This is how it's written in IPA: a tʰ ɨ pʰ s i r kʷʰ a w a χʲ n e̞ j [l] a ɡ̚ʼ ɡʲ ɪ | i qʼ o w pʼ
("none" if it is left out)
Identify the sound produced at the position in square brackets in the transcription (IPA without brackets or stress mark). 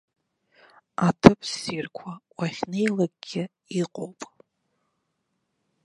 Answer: l